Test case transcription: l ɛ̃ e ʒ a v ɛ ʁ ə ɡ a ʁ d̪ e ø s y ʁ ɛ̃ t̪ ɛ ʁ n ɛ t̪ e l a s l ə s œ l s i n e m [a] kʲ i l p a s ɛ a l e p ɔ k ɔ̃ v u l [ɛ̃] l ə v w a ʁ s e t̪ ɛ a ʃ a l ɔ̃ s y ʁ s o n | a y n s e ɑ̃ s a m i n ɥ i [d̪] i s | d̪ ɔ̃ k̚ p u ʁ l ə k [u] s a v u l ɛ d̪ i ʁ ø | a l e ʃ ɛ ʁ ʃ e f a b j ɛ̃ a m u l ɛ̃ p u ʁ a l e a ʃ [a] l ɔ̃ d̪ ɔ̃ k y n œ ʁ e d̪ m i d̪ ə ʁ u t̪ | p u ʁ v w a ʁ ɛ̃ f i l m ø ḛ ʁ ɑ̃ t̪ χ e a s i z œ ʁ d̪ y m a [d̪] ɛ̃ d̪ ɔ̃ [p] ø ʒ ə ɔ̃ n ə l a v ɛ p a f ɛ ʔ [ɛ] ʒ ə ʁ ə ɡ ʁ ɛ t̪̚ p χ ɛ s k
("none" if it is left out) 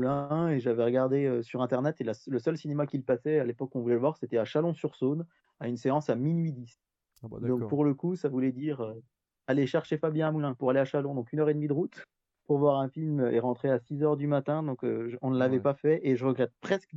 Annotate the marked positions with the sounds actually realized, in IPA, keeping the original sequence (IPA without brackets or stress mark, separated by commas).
a, ɛ, d̪, u, a, t̪, k, e